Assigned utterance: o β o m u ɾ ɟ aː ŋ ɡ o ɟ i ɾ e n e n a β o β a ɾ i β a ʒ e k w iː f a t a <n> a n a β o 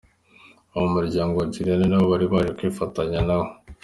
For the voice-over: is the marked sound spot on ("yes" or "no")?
no